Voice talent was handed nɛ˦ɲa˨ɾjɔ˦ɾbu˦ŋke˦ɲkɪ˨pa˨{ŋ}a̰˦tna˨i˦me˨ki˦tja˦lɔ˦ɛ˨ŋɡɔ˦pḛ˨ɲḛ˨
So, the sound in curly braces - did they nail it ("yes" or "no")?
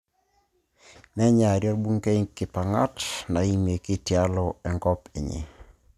yes